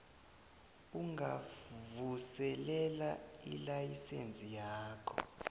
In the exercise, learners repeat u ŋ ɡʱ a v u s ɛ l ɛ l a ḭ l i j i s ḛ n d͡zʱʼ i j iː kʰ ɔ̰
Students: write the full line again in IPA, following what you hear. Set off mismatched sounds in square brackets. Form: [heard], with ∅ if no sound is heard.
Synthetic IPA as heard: u ŋ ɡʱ a v u s ɛ l ɛ l a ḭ l [a] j i s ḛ n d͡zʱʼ i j [aː] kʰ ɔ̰